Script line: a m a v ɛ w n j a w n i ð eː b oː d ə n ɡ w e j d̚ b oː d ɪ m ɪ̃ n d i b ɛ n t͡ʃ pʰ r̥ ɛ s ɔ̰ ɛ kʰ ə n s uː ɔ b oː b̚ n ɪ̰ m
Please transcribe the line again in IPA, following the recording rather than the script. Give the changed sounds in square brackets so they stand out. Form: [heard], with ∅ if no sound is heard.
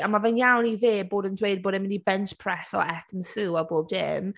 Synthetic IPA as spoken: a m a v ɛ [∅] n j a w n i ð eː b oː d ə n [d] w e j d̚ b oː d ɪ m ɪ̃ n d i b ɛ n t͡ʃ pʰ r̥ ɛ s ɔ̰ ɛ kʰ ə n s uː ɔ b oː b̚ [d] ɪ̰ m